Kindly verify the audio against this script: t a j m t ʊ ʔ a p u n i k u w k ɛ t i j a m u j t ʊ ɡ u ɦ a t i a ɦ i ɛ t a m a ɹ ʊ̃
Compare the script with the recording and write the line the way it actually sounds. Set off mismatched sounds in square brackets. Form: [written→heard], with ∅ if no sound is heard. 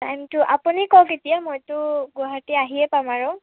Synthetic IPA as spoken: t a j m t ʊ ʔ a p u n i k [u→ɔ] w k [ɛ→e] t i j a m [u→o] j t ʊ ɡ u ɦ a t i a ɦ i ɛ [t→p] a m a ɹ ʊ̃